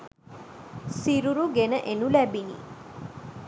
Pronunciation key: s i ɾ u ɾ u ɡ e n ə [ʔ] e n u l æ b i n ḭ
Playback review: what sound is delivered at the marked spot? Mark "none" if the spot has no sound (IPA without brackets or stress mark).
ʔ